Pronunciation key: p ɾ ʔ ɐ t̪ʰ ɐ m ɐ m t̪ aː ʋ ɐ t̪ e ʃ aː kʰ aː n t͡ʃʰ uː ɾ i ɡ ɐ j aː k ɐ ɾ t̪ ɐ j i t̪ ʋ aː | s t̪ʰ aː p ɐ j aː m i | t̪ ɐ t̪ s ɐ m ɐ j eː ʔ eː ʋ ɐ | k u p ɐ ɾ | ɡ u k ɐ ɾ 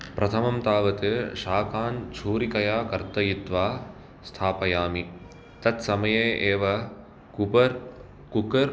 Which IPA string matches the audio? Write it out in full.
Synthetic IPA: p ɾ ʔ ɐ t̪ʰ ɐ m ɐ m t̪ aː ʋ ɐ t̪ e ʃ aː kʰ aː n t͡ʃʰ uː ɾ i k ɐ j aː k ɐ ɾ t̪ ɐ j i t̪ ʋ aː | s t̪ʰ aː p ɐ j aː m i | t̪ ɐ t̪ s ɐ m ɐ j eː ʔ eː ʋ ɐ | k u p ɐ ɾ | k u k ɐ ɾ